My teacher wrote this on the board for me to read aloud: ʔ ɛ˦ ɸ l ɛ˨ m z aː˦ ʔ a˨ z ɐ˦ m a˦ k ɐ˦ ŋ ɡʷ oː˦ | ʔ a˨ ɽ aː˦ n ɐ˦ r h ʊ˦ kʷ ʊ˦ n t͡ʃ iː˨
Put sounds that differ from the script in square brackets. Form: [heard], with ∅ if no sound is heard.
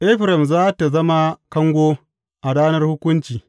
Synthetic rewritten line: ʔ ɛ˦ ɸ [ɾ] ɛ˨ m z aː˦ [t] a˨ z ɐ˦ m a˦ k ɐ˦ ŋ ɡʷ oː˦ | ʔ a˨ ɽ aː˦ n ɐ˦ r h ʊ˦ kʷ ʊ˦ n t͡ʃ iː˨